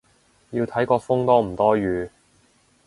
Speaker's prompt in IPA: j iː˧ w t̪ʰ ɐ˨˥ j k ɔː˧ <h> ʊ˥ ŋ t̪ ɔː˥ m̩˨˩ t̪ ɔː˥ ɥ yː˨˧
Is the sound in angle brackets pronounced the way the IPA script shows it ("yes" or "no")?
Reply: no